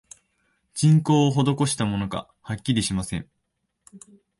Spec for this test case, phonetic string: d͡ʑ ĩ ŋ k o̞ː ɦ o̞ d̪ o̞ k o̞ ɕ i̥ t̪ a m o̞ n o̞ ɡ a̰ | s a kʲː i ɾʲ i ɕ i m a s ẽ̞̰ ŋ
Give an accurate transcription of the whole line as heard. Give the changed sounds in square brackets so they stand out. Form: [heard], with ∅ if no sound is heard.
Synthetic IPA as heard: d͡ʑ ĩ ŋ k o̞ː ɦ o̞ d̪ o̞ k o̞ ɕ i̥ t̪ a m o̞ n o̞ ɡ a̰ | [h] a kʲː i ɾʲ i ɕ i m a s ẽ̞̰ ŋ